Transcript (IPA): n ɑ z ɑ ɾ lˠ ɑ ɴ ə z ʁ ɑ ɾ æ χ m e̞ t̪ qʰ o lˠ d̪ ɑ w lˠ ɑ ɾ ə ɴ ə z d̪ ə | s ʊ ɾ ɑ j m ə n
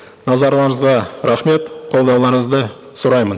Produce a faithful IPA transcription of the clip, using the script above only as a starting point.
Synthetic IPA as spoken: n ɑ z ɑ ɾ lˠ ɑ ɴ ə z ʁ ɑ ɾ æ χ m e̞ t̪ qʰ o lˠ d̪ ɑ w lˠ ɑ ɾ ə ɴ ə z d̪ ə | s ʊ ɾ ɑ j m ə n